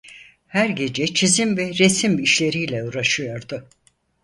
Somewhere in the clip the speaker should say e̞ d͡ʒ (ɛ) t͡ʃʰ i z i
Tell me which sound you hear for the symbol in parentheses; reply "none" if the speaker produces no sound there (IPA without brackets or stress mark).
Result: ɛ